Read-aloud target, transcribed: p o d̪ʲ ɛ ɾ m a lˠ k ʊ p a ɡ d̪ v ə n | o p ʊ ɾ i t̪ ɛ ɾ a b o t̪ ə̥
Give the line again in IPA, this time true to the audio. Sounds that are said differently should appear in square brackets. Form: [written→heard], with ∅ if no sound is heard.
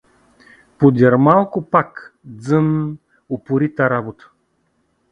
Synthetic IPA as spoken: p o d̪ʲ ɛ ɾ m a lˠ k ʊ p a [ɡ→k] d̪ [v→z] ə n | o p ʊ ɾ i t̪ [ɛ→a] ɾ a b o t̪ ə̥